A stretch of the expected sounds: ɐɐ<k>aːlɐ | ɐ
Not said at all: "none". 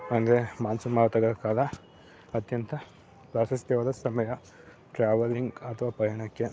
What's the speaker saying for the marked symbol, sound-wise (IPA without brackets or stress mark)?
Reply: k